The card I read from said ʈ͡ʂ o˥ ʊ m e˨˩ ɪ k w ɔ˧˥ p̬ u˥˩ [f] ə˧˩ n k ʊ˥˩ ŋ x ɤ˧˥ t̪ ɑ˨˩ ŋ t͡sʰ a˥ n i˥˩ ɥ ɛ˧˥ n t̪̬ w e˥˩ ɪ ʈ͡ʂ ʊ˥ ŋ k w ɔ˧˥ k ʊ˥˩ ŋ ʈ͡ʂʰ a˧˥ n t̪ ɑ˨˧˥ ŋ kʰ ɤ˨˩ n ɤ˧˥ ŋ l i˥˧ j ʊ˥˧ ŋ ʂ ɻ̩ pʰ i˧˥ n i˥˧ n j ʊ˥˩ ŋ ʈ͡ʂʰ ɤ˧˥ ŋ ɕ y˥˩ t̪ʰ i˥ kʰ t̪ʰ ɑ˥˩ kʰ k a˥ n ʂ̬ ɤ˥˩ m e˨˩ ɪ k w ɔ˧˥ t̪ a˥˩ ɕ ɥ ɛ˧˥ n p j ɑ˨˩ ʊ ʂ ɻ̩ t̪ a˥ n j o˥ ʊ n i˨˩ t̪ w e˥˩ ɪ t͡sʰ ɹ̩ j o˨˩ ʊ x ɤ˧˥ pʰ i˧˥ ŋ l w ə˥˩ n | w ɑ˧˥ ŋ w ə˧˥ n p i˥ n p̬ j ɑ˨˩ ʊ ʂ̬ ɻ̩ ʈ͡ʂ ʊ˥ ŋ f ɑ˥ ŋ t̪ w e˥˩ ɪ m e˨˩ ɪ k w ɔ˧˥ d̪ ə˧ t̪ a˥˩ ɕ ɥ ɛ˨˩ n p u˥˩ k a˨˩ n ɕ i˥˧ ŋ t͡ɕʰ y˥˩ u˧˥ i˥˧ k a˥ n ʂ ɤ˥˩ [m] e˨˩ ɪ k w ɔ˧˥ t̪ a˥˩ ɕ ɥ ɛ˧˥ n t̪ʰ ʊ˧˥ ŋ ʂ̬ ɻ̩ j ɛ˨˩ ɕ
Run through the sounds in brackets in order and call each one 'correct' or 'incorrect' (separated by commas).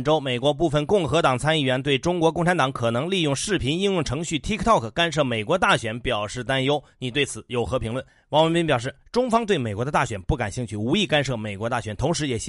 correct, correct